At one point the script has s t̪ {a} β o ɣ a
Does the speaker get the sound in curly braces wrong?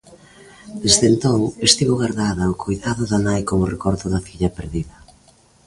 yes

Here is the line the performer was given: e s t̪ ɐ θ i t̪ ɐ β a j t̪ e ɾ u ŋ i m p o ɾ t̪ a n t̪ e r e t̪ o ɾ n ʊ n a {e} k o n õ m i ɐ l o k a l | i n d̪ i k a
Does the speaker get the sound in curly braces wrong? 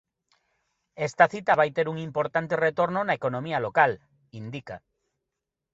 no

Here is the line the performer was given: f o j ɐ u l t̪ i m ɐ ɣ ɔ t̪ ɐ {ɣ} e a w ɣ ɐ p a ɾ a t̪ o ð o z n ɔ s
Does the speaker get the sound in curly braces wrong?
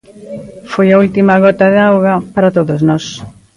yes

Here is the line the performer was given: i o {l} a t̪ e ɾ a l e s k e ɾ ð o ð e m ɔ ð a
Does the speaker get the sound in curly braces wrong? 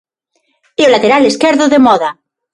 no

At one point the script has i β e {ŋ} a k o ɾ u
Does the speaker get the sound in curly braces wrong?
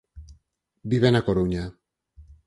yes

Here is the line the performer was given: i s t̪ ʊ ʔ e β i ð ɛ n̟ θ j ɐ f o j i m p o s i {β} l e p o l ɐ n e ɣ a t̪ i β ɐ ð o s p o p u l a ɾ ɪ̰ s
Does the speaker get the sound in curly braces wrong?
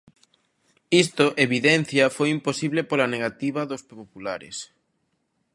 no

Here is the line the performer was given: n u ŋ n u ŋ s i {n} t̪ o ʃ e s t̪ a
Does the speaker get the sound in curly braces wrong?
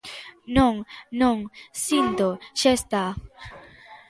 no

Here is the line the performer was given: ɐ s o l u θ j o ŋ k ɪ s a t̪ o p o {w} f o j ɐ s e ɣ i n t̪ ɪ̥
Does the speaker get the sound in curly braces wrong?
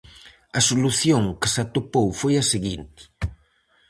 no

